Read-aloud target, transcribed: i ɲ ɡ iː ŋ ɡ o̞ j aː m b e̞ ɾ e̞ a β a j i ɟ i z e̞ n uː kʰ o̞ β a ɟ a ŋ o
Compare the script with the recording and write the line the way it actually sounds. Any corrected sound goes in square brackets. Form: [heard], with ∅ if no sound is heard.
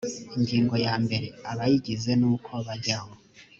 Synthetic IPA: i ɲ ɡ iː ŋ ɡ o̞ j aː m b e̞ ɾ e̞ a β a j i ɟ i z e̞ n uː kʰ o̞ β a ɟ a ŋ o